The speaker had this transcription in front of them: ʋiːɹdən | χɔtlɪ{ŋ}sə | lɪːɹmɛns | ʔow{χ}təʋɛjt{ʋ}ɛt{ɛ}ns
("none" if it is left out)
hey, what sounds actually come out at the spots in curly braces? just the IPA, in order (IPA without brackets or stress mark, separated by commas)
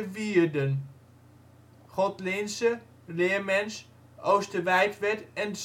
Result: n, s, ʋ, ɛ